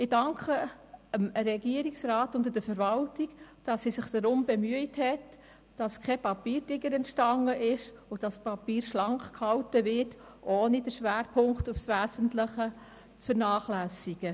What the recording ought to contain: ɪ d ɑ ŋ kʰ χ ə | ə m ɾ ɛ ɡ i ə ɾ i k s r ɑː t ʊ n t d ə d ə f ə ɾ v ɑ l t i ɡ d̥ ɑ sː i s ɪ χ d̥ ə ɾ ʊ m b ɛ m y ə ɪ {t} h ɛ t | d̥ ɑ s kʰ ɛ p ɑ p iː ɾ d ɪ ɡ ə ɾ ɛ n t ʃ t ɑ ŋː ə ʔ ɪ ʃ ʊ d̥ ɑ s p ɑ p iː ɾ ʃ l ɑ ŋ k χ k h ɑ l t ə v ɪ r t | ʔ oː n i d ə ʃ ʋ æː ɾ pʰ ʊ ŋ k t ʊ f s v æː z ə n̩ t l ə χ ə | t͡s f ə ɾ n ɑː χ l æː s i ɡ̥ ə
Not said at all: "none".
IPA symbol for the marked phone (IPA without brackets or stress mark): t